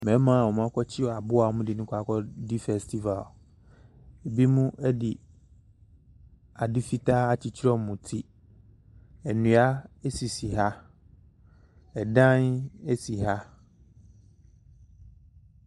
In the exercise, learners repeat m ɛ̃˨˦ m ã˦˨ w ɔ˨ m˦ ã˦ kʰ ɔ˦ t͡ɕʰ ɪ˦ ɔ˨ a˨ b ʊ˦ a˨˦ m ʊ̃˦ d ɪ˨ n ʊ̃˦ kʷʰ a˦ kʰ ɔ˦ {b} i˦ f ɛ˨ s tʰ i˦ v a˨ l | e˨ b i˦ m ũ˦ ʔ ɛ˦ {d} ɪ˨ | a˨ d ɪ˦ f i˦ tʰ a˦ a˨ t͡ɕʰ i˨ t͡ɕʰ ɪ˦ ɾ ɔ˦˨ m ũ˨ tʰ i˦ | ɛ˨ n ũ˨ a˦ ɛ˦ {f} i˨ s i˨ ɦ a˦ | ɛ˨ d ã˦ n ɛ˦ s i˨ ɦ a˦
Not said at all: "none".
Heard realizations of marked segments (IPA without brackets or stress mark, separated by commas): d, d, s